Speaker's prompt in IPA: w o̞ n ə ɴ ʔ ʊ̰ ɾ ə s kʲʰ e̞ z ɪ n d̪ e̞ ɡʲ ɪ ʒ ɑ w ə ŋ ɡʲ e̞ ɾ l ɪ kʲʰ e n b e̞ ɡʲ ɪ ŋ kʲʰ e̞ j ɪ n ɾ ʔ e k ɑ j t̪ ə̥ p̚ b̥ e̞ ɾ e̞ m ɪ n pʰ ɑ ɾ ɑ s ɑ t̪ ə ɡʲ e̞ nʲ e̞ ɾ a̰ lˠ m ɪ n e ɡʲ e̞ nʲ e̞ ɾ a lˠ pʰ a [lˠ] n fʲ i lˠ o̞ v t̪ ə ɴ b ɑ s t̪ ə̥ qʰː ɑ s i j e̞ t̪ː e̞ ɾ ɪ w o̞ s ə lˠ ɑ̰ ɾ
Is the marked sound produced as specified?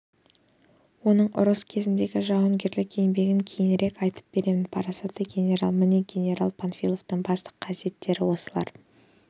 no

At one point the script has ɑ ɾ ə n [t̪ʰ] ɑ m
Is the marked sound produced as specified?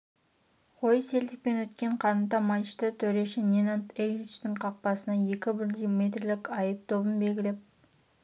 no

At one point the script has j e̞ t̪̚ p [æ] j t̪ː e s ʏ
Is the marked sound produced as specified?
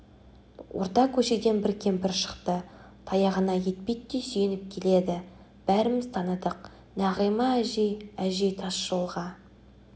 no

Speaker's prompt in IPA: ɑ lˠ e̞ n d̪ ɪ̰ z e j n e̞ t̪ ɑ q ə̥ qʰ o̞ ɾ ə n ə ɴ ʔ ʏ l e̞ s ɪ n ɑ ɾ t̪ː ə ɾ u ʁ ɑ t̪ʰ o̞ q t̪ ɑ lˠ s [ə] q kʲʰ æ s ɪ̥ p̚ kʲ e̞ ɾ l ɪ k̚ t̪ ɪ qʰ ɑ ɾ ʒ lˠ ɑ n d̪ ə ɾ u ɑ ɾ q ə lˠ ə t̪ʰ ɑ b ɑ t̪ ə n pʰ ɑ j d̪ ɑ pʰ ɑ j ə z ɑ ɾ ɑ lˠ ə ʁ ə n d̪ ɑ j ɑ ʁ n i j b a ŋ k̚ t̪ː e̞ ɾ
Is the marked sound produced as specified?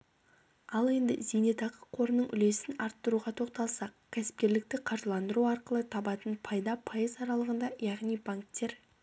no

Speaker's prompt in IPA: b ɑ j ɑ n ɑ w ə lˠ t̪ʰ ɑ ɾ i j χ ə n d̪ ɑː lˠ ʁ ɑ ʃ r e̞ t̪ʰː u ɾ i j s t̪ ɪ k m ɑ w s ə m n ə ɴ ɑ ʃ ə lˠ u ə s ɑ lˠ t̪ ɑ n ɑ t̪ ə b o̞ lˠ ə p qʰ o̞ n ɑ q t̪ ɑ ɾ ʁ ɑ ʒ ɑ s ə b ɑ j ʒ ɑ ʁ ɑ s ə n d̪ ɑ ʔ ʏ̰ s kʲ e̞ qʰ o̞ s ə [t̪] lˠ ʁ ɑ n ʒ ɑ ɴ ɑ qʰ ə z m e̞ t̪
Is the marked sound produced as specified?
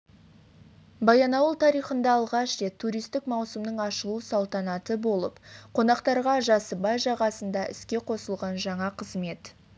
no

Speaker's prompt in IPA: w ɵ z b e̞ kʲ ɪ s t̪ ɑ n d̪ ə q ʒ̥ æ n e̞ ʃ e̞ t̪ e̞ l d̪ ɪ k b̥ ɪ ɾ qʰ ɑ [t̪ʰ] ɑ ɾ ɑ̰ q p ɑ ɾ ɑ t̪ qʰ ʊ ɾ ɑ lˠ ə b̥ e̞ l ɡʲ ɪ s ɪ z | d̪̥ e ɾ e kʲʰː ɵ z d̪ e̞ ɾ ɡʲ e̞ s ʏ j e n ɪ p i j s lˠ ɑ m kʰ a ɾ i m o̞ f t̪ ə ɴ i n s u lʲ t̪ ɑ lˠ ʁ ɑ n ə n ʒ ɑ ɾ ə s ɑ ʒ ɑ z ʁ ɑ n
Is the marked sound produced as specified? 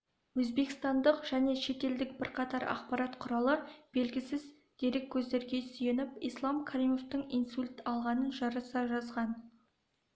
no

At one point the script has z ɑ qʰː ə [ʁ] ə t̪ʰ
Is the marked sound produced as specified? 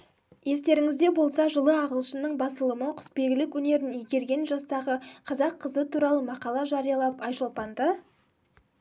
no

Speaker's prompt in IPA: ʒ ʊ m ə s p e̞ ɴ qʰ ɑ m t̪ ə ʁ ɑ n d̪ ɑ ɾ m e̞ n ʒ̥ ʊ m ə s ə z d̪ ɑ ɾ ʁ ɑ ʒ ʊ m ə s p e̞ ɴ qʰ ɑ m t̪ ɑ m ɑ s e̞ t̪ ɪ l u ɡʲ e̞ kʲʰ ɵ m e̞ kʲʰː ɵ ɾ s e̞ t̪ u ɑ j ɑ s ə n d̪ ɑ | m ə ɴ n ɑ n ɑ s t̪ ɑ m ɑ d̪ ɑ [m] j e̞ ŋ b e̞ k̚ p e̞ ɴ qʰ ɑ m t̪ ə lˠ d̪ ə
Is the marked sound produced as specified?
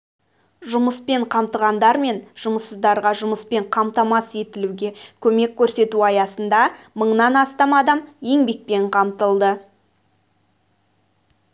yes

